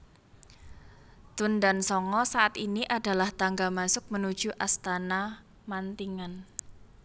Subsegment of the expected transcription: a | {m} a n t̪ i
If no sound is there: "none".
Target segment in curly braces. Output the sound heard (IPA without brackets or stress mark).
m